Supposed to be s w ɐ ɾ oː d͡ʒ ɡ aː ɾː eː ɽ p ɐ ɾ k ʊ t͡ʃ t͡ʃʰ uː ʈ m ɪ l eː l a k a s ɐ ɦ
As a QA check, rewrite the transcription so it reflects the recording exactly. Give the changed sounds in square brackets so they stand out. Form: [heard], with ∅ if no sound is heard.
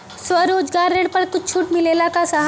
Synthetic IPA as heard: s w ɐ ɾ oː d͡ʒ ɡ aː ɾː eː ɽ p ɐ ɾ k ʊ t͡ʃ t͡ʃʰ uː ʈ m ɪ l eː l a k a s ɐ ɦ